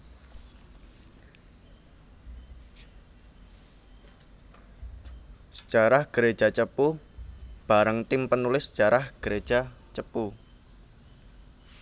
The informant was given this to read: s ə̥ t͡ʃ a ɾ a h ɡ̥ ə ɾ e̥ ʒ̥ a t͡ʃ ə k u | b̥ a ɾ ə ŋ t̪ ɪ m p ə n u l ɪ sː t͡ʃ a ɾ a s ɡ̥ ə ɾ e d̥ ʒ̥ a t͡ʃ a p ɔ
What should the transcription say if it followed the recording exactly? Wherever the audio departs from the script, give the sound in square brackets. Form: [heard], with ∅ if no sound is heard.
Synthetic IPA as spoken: s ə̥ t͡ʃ a ɾ a h ɡ̥ ə ɾ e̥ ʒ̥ a t͡ʃ ə [p] u | b̥ a ɾ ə ŋ t̪ ɪ m p ə n u l ɪ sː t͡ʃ a ɾ a [h] ɡ̥ ə ɾ e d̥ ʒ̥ a t͡ʃ [ə] p [u]